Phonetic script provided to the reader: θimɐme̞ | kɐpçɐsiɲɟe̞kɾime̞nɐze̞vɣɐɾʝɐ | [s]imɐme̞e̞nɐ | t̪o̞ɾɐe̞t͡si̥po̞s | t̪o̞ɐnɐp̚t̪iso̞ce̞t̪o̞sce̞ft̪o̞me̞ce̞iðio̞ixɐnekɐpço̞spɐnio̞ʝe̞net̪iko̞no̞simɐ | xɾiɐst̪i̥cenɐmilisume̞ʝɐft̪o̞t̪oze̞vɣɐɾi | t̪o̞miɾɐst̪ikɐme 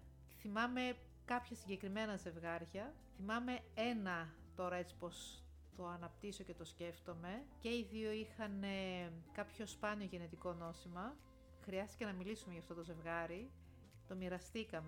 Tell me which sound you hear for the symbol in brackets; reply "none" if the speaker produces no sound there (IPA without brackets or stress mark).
θ